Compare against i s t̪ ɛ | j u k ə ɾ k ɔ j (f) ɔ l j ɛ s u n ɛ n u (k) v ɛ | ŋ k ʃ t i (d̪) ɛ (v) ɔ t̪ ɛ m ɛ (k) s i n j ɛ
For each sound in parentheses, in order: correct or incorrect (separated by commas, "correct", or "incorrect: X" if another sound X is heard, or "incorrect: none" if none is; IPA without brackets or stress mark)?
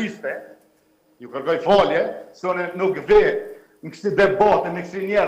correct, correct, correct, incorrect: b, correct